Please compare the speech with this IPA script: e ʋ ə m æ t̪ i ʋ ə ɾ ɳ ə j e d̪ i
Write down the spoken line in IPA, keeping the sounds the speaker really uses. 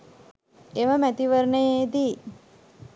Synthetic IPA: e ʋ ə m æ t̪ i ʋ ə ɾ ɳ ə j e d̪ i